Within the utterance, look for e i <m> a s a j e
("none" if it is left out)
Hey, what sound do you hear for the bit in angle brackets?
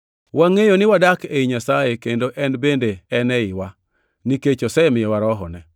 ɲ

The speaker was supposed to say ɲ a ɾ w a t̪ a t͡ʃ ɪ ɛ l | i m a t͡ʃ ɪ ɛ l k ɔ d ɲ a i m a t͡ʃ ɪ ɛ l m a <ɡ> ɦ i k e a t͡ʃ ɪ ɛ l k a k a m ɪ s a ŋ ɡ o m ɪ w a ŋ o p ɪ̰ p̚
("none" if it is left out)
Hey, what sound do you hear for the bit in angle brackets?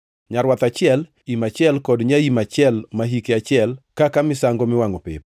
none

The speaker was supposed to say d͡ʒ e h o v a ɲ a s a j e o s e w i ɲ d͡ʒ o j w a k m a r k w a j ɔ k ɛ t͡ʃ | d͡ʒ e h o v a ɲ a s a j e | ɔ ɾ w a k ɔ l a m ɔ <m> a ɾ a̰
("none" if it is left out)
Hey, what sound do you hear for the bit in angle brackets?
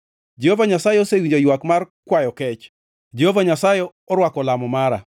m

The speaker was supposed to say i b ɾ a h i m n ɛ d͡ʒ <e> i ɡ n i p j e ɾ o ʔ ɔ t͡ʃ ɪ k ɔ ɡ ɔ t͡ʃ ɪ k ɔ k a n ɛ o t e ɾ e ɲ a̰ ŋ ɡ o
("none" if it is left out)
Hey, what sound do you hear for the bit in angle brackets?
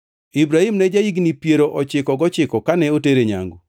a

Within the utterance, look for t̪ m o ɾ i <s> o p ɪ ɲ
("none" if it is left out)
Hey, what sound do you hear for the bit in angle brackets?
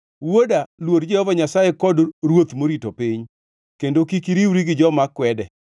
t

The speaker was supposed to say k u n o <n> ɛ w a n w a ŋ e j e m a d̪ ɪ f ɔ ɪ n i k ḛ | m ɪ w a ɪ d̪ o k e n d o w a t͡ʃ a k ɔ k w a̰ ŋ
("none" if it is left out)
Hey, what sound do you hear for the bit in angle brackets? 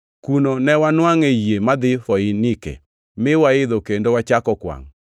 n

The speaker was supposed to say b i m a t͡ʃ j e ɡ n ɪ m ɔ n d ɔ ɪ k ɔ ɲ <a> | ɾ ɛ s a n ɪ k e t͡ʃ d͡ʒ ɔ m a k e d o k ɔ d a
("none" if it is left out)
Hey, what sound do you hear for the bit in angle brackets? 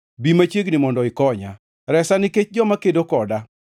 a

